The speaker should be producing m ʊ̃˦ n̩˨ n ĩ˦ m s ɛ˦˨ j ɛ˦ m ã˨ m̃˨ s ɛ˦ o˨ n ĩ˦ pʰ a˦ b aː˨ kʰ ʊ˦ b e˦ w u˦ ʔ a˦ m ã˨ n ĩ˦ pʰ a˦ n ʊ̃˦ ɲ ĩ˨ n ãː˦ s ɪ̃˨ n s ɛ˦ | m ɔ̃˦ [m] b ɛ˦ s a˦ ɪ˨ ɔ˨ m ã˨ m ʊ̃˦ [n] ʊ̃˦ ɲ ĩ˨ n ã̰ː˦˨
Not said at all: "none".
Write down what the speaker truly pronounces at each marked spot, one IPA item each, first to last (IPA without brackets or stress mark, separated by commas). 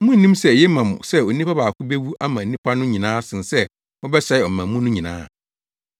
none, n